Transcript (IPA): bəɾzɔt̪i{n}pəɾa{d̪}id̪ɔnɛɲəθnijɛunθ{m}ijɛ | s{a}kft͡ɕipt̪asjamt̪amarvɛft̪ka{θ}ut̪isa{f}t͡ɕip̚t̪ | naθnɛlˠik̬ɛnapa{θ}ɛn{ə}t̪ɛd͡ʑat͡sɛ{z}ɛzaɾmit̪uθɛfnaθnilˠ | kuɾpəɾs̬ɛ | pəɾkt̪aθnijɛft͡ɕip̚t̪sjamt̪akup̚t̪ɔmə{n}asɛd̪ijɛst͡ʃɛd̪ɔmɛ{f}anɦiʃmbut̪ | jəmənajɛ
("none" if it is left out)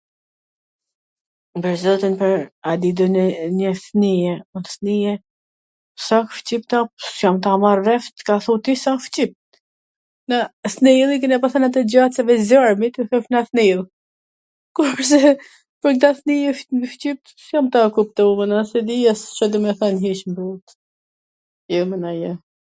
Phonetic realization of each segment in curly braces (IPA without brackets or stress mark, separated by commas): n, d̪, n, a, θ, f, θ, a, v, n, θ